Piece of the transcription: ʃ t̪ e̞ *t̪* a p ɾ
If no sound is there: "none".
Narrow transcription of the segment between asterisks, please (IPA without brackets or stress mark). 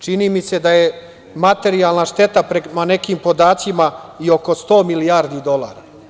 t̪